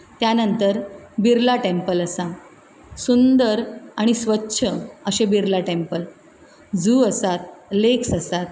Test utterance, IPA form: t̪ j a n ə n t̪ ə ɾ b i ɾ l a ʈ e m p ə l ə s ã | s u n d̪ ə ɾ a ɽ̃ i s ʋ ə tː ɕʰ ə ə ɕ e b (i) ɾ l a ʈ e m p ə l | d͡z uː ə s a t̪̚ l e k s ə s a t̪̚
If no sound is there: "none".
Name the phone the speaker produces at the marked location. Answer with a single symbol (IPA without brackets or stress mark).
i